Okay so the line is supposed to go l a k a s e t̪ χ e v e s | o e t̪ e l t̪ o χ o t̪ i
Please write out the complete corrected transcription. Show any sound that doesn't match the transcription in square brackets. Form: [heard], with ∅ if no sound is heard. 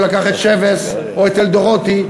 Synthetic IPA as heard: l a k a [χ] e t̪ [ʃ] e v e s | o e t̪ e l [d̪] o [ʁ] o t̪ i

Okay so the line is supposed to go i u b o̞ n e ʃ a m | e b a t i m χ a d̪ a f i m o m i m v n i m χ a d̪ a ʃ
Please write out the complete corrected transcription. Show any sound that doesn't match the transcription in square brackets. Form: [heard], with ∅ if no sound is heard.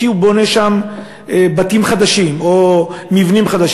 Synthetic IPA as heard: i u b o̞ n e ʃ a m | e b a t i m χ a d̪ a [ʃ] i m o m i [∅] v n i m χ a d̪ a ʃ

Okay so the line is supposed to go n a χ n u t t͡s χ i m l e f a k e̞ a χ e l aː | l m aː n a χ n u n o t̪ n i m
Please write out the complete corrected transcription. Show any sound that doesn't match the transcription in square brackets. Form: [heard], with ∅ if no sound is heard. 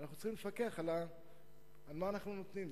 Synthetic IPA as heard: n a χ n u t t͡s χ i m l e f a k e̞ a χ [a] l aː | l m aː n a χ n u n o t̪ n i m

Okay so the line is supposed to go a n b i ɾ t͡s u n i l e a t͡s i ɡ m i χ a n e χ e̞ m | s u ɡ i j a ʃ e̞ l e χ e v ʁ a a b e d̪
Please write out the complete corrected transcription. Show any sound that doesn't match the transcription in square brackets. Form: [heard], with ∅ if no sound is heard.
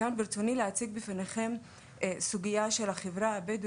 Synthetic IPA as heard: a n b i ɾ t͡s [o] n i l e a t͡s i ɡ [b] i [f] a n e χ e̞ m | s u ɡ i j a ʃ e̞ l [a] χ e v ʁ a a b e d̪

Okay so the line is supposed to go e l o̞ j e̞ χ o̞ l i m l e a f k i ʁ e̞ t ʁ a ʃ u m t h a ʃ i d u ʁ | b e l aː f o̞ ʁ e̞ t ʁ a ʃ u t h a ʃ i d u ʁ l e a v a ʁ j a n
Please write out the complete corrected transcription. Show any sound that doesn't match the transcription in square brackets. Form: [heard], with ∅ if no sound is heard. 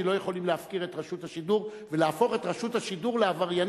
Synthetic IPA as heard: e l o̞ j e̞ χ o̞ l i m l e a f k i ʁ e̞ t ʁ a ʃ u [∅] t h a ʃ i d u ʁ | [v] e l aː f o̞ [χ] e̞ t ʁ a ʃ u t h a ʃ i d u ʁ l e a v a ʁ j a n

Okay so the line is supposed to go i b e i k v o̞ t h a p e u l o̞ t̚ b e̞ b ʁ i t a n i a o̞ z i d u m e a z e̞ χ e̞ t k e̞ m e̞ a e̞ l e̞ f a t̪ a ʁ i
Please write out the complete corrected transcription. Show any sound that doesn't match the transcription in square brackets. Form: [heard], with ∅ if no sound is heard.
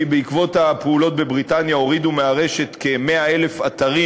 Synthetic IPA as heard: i b e i k v o̞ t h a p e u l o̞ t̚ b e̞ b ʁ i t a n [j] a o̞ [ʁ] i d u m e a [ʁ] e̞ [ʃ] e̞ t k e̞ m e̞ a e̞ l e̞ f a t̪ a ʁ i

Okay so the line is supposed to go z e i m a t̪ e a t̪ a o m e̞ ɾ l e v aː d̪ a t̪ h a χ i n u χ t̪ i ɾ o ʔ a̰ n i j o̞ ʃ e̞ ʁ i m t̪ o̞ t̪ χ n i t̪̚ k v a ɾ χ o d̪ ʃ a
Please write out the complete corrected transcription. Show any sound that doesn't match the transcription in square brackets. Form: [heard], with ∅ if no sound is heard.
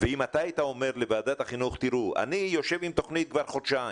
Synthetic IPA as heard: [v] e i m a t̪ [a] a t̪ a o m e̞ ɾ l e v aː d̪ a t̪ h a χ i n u χ t̪ i ɾ [u] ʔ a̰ n i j o̞ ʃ e̞ [v] i m t̪ o̞ [∅] χ n i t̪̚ k v a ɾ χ o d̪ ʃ a

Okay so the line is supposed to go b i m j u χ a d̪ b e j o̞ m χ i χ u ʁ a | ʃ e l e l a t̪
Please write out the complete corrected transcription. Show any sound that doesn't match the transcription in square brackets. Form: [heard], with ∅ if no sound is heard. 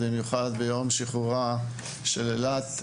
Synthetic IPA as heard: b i m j u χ a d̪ b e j o̞ m [ʃ] i χ u ʁ a | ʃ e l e l a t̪

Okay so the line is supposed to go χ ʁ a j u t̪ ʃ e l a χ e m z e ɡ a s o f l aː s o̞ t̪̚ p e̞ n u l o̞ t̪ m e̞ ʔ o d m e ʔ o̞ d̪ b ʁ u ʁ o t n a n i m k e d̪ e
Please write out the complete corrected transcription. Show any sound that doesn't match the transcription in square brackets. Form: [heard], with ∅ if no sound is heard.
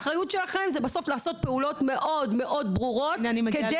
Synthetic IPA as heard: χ ʁ a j u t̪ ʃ e l a χ e m z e [b] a s o f l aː s o̞ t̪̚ p e̞ [∅] u l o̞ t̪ m e̞ ʔ o d m e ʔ o̞ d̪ b ʁ u ʁ o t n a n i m k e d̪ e

